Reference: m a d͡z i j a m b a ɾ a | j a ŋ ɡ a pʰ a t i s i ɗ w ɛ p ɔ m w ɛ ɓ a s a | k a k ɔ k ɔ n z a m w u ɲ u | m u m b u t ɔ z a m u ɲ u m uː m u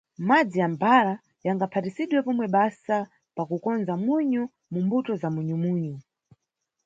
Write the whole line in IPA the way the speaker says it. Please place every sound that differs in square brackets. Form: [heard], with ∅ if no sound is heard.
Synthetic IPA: m a d͡z i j a m b a ɾ a | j a ŋ ɡ a pʰ a t i s i ɗ w ɛ p ɔ m w ɛ ɓ a s a | [p] a k [u] k ɔ n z a m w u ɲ u | m u m b u t ɔ z a m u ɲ u m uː [ɲ] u